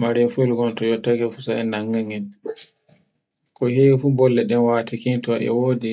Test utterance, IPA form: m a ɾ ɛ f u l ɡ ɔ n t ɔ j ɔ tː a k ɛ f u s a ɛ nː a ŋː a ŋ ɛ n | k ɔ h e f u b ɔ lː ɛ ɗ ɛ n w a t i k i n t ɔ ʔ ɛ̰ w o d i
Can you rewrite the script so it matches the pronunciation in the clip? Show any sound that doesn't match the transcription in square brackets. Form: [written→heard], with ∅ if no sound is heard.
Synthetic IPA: m a ɾ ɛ f u l ɡ ɔ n t ɔ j ɔ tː a k ɛ f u s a ɛ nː a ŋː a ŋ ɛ n | k ɔ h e f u b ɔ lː ɛ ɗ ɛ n w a t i k i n t ɔ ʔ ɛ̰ w o d i